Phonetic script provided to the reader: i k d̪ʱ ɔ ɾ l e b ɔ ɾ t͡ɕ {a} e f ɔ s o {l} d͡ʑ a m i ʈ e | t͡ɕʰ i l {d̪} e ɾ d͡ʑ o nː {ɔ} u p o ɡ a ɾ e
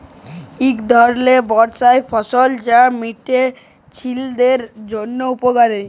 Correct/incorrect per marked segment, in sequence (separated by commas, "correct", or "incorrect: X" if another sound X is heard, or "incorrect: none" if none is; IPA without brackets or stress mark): correct, correct, correct, incorrect: o